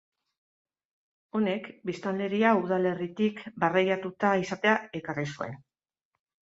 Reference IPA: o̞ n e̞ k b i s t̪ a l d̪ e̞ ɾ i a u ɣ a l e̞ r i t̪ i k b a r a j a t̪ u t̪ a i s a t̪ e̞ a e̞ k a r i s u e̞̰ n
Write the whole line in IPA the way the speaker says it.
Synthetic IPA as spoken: o̞ n e̞ k b i s t̪ a l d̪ e̞ ɾ i a u ð a l e̞ r i t̪ i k b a r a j a t̪ u t̪ a i s a t̪ e̞ a e̞ k a r i s u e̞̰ n